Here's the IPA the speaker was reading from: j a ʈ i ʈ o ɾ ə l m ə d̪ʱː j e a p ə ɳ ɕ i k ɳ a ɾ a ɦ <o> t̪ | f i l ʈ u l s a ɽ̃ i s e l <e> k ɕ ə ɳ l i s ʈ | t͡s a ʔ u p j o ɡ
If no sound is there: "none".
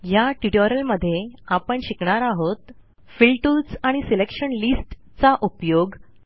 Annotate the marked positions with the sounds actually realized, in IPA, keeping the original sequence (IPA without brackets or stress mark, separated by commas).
o, e